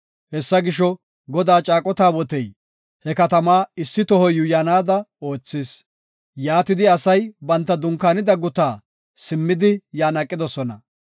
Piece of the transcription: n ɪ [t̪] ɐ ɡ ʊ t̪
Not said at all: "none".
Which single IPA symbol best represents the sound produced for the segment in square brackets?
d̪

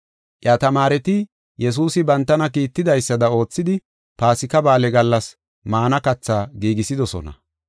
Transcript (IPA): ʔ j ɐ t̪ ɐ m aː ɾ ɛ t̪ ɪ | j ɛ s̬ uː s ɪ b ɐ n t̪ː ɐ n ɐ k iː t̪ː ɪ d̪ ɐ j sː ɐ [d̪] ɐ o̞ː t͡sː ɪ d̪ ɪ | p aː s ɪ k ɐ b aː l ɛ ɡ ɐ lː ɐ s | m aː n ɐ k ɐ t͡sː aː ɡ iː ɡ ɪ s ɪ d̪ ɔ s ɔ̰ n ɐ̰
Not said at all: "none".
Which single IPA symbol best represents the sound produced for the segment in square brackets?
d̪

